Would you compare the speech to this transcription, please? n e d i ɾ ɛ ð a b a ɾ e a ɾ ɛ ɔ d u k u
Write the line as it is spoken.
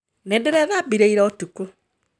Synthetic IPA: n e d e ɾ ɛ ð a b i ɾ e i ɾ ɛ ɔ t u k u